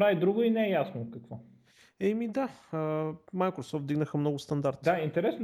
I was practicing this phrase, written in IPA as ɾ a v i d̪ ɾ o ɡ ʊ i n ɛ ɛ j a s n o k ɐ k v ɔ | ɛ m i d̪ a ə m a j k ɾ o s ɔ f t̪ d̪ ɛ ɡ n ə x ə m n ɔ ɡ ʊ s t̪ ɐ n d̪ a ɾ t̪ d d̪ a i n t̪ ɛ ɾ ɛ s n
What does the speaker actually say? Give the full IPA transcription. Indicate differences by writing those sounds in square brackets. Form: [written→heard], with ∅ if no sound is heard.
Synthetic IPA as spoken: ɾ a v i d̪ ɾ [o→u] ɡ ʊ i n ɛ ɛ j a s n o k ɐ k v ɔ | ɛ m i d̪ a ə m a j k ɾ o s ɔ f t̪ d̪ [ɛ→i] ɡ n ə x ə m n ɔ ɡ ʊ s t̪ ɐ n d̪ a ɾ t̪ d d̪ a i n t̪ ɛ ɾ ɛ s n